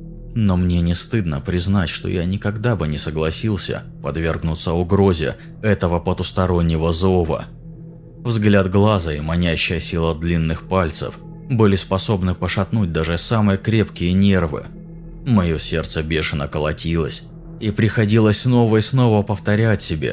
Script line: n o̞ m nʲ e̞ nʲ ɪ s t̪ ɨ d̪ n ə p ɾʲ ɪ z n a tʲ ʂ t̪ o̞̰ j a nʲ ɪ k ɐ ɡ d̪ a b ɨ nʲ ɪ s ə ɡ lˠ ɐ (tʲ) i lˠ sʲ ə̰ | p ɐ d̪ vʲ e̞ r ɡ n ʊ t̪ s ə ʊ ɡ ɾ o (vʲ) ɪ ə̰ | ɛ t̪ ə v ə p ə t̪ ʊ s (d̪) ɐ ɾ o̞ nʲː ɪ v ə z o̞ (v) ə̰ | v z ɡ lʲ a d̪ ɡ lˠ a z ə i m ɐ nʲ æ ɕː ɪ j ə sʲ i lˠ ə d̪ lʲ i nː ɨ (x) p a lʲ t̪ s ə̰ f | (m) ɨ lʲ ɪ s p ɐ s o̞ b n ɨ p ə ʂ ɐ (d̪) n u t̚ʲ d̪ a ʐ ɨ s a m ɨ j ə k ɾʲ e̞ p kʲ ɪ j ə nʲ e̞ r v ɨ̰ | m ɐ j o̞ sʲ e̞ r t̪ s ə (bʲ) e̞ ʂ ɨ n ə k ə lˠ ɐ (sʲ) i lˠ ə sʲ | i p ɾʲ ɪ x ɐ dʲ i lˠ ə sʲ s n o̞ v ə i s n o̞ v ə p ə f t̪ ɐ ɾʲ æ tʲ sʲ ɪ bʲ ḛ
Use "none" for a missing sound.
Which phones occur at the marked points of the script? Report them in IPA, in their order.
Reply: sʲ, zʲ, t̪, v, x, b, t̪, bʲ, tʲ

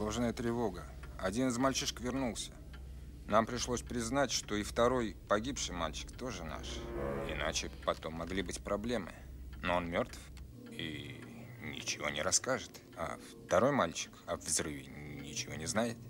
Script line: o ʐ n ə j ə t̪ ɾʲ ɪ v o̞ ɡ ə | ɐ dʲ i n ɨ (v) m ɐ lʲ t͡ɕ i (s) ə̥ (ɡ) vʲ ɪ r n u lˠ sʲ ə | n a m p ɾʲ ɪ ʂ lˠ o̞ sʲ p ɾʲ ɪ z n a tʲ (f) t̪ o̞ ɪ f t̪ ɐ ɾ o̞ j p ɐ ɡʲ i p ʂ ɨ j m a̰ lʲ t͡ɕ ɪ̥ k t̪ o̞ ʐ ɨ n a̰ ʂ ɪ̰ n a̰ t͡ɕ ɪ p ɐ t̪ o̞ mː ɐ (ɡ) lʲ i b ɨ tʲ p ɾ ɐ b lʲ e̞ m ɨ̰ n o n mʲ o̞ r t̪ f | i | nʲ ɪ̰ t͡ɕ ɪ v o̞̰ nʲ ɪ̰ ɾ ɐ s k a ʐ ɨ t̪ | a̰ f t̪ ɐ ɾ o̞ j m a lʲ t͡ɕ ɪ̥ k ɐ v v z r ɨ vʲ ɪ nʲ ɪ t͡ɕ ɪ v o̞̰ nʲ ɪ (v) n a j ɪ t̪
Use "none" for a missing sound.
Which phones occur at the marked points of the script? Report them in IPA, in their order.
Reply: z, ʂ, k, ʂ, ɡ, z

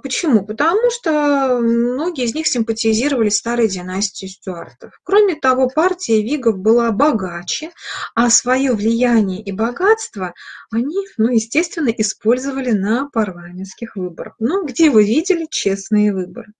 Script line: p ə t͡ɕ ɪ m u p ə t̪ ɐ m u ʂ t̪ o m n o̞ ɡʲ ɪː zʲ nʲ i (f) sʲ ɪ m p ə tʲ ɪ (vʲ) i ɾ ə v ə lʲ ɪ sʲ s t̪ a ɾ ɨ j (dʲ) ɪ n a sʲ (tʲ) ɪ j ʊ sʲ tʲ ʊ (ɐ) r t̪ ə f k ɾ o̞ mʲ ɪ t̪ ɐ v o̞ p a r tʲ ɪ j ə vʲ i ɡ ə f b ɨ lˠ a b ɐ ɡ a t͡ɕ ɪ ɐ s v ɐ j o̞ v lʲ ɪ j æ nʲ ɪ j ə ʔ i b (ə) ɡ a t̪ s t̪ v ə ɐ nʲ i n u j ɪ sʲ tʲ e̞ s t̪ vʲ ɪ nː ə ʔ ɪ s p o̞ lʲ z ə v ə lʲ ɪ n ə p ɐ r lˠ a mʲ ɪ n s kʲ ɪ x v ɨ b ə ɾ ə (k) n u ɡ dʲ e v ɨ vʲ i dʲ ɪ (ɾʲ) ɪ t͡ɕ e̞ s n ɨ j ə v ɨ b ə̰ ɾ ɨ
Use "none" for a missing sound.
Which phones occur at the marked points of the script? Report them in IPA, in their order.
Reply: x, zʲ, dʲ, tʲ, a, ɐ, x, lʲ

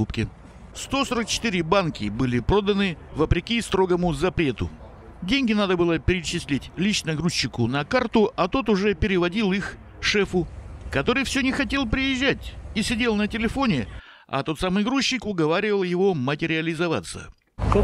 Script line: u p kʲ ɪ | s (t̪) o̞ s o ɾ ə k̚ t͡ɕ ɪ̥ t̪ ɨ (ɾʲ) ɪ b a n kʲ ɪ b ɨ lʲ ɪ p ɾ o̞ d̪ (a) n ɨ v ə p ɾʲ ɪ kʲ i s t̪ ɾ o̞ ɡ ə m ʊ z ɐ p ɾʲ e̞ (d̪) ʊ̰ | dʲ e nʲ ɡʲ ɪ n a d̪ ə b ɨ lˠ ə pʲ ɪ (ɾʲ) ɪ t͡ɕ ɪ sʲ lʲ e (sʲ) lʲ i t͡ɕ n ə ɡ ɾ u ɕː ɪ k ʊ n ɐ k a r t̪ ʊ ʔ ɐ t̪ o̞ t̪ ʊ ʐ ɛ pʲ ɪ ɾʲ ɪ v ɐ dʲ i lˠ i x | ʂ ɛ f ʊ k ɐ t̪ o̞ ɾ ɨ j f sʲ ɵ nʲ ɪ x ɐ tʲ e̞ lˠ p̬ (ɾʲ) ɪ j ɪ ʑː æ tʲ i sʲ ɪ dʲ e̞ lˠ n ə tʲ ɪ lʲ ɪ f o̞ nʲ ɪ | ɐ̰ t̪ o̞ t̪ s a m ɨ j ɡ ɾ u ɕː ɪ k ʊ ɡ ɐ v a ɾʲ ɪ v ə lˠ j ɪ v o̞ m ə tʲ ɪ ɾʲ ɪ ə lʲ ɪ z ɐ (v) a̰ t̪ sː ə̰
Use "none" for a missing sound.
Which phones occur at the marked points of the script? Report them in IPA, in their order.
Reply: t̪, ɾʲ, ə, t̪, ɾʲ, tʲ, ɾʲ, v

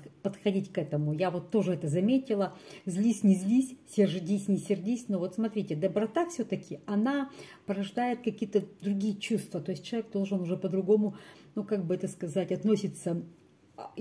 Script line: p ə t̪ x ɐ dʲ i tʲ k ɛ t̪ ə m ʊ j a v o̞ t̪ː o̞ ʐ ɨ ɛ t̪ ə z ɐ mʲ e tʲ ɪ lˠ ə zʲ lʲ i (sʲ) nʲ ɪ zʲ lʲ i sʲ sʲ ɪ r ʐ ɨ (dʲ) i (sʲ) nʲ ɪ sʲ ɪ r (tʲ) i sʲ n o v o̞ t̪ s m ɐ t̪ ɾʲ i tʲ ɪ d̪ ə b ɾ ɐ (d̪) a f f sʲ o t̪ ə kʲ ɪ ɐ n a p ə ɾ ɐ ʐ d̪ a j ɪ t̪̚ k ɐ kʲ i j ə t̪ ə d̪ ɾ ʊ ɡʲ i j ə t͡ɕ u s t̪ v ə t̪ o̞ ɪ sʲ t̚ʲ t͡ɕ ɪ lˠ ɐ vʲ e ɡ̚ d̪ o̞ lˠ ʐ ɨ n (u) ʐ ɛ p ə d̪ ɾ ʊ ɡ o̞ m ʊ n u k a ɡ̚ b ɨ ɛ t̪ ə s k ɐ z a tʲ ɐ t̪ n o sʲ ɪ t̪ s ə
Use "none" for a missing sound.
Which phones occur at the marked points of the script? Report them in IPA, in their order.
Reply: sʲ, dʲ, sʲ, dʲ, t̪, ʊ

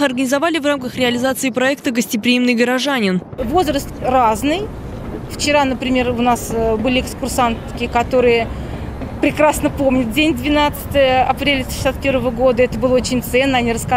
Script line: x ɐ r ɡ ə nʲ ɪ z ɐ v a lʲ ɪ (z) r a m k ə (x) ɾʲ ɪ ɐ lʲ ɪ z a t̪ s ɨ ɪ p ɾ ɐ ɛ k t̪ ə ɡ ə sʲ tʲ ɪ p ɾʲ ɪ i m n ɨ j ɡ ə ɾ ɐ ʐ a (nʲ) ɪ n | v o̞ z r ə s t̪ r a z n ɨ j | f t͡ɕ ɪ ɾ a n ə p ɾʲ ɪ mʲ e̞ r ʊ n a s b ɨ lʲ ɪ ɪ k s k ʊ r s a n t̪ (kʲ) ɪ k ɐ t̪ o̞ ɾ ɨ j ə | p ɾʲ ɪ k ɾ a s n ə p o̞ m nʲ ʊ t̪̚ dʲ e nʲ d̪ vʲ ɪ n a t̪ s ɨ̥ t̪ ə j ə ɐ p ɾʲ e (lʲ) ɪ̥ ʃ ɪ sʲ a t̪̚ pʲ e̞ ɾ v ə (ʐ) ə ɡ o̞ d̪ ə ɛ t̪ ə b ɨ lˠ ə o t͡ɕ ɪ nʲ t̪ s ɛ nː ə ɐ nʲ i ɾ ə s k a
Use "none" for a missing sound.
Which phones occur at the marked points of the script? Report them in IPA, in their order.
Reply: v, x, nʲ, kʲ, lʲ, v

